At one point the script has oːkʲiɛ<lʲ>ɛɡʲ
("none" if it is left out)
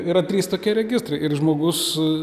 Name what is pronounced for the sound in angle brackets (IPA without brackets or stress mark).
ɾʲ